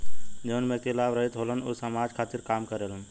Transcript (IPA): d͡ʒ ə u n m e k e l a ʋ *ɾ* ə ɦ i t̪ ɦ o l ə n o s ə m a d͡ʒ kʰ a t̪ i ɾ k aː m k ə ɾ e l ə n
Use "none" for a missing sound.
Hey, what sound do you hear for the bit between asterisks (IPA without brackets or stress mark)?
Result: ɾ